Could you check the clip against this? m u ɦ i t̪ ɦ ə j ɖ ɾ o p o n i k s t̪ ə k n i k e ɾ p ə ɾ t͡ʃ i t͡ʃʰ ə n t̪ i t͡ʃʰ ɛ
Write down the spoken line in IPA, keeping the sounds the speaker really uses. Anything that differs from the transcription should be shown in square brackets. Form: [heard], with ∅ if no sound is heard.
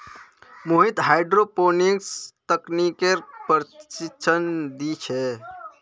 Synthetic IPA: m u ɦ i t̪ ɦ [a] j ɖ ɾ o p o n i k s t̪ ə k n i k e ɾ p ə ɾ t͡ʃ i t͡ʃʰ ə n [d̪] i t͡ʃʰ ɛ